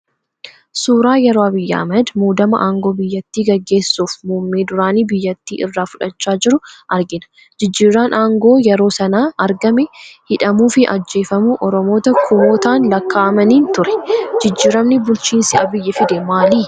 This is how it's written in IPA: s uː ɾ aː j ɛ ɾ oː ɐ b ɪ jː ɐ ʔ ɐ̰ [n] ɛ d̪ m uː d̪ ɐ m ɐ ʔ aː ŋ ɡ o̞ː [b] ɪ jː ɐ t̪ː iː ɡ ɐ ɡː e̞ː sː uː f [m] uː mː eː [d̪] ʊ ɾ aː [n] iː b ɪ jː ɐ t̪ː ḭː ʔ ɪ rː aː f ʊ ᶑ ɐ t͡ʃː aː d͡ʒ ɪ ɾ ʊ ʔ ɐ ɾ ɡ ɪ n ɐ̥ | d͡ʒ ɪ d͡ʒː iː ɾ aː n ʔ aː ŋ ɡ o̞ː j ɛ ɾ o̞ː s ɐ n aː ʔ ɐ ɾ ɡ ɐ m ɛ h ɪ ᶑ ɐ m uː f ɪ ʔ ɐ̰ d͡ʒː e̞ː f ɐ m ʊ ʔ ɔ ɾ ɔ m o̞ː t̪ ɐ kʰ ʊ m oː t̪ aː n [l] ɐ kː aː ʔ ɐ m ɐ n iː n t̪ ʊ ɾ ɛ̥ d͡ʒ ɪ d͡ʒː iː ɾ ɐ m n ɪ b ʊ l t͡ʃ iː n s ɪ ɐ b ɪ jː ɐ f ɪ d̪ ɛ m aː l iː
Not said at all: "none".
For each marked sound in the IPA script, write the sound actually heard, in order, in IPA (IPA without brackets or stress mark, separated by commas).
m, b, m, d̪, n, l